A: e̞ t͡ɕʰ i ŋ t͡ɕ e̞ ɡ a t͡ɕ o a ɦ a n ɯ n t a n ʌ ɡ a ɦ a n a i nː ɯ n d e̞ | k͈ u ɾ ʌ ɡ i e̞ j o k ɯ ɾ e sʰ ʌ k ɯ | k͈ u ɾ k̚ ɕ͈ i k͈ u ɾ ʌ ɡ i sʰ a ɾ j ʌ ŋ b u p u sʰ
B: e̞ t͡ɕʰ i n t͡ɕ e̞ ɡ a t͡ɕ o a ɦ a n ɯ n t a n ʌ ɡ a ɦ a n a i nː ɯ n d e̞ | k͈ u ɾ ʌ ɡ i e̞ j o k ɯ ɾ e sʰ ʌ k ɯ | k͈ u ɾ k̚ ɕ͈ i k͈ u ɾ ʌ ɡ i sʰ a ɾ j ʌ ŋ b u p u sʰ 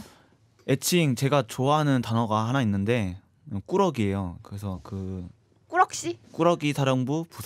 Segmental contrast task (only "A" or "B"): A